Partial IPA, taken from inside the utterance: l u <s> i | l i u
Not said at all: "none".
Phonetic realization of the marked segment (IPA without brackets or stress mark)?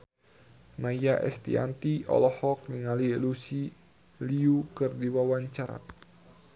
s